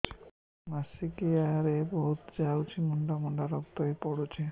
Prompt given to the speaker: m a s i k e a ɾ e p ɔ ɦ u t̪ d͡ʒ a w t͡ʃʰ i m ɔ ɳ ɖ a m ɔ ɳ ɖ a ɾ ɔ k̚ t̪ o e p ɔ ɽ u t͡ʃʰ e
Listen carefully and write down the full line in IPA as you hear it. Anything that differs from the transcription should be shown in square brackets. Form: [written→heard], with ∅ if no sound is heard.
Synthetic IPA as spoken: m a s i k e a ɾ e [p→b] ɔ ɦ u t̪ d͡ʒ a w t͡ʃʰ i m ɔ ɳ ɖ a m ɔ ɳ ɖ a ɾ ɔ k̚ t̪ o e p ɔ ɽ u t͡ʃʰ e